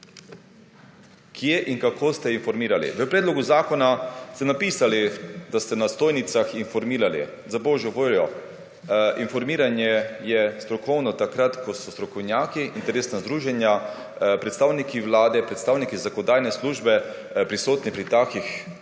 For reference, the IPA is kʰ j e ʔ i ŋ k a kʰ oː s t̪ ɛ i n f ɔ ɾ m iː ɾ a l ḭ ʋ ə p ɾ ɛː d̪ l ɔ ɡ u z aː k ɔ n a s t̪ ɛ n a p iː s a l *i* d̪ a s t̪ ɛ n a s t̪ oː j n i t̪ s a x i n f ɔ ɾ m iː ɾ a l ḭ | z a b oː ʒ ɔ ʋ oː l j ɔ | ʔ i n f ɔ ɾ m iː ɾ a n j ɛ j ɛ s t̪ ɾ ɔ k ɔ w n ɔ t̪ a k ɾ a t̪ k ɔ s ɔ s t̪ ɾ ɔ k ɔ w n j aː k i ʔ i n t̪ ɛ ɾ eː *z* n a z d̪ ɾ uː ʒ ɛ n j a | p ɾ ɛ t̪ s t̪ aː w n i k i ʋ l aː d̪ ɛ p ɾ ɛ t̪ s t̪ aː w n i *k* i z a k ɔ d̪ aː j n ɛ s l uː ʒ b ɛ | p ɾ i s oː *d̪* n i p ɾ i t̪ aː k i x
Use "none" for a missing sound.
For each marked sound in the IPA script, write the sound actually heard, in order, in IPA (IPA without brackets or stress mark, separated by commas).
i, s, k, t̪